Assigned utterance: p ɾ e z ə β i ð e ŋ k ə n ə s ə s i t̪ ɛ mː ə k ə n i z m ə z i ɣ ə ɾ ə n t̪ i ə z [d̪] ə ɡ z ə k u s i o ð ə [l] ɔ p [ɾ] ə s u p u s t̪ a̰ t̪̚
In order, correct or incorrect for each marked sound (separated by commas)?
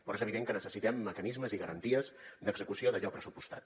correct, incorrect, correct